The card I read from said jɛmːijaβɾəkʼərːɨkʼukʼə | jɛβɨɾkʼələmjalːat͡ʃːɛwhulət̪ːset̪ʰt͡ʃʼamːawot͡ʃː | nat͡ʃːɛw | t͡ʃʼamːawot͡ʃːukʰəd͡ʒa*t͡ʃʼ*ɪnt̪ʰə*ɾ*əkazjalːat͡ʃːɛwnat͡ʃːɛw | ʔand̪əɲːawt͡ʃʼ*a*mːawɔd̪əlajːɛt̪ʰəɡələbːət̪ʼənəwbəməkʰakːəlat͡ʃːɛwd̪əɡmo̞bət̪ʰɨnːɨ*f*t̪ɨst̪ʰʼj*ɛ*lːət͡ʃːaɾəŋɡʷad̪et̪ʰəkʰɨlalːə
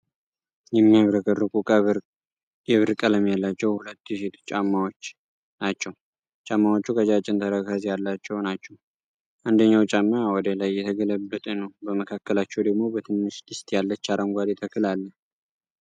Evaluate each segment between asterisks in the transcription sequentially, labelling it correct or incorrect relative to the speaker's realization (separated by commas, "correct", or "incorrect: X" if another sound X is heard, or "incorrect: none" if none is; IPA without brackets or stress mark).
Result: correct, correct, correct, incorrect: ʃ, incorrect: a